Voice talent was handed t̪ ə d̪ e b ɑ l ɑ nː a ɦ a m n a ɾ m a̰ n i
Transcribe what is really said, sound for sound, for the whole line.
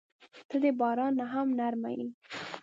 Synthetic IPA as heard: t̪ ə d̪ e b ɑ ɾ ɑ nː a ɦ a m n a ɾ m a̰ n i